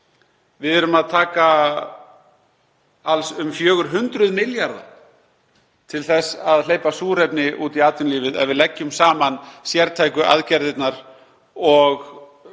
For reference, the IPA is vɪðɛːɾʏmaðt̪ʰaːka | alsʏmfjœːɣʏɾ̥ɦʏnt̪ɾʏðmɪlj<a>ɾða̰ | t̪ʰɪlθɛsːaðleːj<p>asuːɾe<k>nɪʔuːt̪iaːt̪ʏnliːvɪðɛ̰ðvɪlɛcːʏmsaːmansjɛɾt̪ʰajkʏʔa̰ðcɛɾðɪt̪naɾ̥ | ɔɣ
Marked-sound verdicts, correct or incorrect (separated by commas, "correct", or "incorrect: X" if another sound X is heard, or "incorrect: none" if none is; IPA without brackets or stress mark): correct, correct, incorrect: p